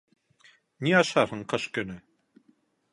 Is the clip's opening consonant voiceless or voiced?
voiced